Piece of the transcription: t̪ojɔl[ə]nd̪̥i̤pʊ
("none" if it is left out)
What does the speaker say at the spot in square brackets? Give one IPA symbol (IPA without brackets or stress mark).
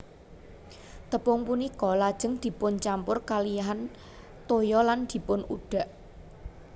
a